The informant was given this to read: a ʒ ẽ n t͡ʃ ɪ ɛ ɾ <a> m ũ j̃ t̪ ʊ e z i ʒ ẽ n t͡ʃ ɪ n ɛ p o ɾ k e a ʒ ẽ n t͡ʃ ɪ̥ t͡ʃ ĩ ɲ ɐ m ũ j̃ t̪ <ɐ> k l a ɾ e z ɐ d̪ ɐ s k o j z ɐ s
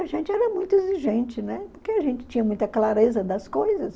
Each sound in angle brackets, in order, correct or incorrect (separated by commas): incorrect, correct